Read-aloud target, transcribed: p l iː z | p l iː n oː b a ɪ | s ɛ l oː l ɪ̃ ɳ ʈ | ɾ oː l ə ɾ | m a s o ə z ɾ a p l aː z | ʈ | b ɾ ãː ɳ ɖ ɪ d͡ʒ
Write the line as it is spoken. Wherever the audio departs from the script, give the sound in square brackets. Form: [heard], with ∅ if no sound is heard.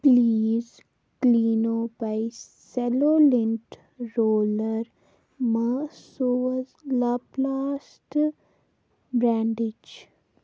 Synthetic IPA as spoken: p l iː z | [k] l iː n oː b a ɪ | s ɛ l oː l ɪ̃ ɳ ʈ | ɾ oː l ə ɾ | m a s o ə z [l] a p l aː [s] | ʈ | b ɾ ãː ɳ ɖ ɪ d͡ʒ